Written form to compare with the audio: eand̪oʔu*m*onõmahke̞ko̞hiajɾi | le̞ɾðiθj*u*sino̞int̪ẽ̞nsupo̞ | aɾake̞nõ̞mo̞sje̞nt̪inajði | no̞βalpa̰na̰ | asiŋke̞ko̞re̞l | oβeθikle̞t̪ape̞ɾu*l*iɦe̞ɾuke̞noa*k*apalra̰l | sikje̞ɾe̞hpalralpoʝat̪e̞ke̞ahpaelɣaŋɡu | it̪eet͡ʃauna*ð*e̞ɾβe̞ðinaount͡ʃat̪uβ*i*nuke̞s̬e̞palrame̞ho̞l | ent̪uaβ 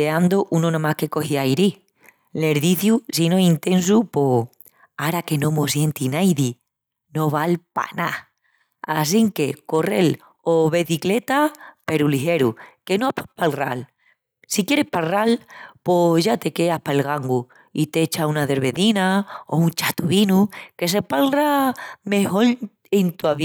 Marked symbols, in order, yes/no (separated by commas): no, yes, yes, no, yes, yes